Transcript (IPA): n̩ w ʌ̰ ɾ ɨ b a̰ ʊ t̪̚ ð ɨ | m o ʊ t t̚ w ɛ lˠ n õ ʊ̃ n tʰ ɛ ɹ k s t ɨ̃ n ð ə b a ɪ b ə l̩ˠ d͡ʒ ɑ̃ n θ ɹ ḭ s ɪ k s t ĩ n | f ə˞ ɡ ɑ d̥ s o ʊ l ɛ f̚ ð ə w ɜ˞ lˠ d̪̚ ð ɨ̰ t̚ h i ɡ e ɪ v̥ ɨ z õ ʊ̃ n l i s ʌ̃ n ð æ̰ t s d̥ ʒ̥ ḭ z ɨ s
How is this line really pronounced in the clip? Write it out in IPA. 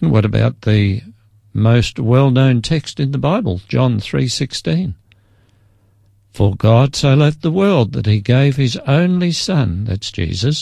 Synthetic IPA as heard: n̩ w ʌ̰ ɾ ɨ b a̰ ʊ t̪̚ ð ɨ | m o ʊ s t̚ w ɛ lˠ n õ ʊ̃ n tʰ ɛ k s t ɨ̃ n ð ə b a ɪ b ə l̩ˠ d͡ʒ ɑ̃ n θ ɹ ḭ s ɪ k s t ĩ n | f ə˞ ɡ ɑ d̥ s o ʊ l ɛ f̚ ð ə w ɜ˞ lˠ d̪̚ ð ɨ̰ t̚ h i ɡ e ɪ v̥ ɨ z õ ʊ̃ n l i s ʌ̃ n ð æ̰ t s d̥ ʒ̥ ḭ z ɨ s